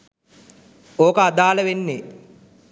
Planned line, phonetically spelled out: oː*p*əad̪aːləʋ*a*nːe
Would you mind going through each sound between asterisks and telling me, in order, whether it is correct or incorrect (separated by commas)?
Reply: incorrect, incorrect